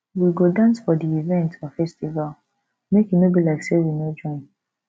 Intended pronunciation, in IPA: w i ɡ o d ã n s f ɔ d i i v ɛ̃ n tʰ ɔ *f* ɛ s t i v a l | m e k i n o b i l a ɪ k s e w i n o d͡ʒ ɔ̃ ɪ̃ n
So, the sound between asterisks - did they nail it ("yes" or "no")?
yes